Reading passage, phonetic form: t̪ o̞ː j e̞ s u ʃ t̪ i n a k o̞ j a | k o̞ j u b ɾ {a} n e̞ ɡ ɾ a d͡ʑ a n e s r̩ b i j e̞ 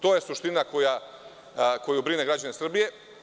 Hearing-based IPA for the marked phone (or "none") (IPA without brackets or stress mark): i